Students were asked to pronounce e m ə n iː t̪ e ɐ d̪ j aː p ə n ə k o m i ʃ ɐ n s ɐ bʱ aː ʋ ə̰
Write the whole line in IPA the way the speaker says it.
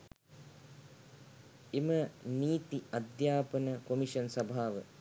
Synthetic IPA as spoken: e m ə n iː t̪ i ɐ d̪ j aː p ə n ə k o m i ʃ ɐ n s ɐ bʱ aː ʋ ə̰